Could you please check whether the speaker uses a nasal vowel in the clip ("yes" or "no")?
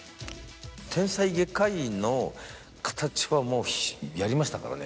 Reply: yes